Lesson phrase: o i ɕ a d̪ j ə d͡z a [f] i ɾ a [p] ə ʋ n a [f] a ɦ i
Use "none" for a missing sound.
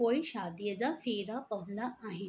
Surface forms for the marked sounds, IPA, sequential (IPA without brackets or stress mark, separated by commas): f, p, none